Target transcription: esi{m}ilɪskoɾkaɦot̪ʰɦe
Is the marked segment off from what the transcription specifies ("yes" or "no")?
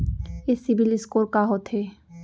yes